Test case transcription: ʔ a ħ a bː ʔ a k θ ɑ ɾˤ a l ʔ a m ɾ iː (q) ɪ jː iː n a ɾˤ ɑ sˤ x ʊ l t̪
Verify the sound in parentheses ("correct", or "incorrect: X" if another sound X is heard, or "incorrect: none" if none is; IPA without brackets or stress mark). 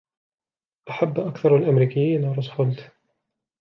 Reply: incorrect: k